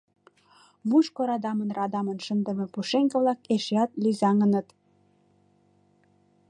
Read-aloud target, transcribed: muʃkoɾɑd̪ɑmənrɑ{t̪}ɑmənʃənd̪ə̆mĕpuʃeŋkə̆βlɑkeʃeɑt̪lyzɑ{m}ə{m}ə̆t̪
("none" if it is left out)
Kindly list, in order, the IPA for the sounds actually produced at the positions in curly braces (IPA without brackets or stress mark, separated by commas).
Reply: d̪, ŋ, n